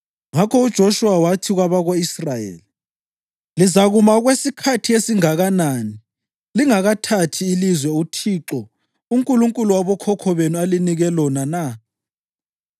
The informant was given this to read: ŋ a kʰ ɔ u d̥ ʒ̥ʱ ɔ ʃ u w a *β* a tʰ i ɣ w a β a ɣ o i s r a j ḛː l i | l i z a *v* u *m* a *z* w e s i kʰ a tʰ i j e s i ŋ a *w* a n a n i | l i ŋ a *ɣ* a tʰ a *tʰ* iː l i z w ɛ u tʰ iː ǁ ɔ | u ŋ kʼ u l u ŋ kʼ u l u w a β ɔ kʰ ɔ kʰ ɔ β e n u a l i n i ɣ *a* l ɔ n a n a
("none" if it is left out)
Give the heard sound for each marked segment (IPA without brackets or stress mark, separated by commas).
w, ɣ, m, ɣ, ɣ, ɣ, tʰ, ɛ